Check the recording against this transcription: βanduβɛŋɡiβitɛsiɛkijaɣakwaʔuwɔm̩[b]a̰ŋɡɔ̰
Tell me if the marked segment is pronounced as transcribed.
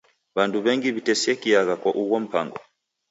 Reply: no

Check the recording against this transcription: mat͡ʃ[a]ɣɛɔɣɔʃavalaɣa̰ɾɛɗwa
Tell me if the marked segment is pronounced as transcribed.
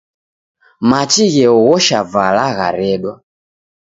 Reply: no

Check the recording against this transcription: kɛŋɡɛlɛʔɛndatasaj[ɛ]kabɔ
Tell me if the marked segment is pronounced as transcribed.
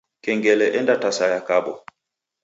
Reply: no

